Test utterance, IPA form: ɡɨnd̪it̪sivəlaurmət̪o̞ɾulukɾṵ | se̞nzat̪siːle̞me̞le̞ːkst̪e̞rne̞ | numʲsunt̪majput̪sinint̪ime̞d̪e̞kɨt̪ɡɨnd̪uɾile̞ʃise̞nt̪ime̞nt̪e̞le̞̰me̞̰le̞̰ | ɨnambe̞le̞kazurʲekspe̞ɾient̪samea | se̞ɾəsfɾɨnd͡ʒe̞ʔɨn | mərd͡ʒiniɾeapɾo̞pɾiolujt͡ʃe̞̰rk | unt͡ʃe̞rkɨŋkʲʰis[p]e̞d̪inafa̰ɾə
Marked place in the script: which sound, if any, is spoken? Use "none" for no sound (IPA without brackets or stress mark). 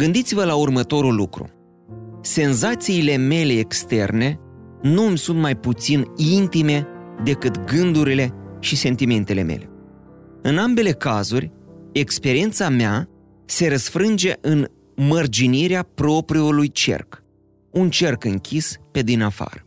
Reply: p